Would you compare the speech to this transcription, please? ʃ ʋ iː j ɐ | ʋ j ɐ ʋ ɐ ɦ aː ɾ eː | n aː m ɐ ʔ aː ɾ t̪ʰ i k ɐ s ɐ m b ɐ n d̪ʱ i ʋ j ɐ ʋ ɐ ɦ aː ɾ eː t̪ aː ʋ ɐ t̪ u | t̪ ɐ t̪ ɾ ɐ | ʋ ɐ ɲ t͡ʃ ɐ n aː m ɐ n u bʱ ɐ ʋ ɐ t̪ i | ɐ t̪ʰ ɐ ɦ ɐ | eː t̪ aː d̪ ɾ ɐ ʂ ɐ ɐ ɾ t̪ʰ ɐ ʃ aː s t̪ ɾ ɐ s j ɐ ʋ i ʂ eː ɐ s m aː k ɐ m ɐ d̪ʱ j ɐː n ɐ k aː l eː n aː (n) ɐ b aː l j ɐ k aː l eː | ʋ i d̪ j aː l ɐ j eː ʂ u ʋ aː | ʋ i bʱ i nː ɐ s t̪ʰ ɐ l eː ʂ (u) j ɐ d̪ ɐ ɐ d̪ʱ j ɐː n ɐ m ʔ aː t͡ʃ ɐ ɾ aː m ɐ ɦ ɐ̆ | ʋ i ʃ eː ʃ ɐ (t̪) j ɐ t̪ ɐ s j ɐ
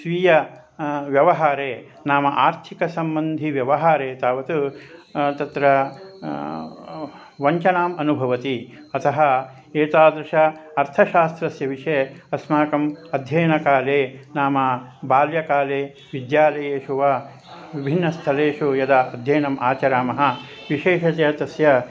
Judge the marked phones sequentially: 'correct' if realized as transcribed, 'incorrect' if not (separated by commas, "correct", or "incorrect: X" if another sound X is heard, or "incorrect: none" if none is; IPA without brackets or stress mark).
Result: incorrect: m, correct, correct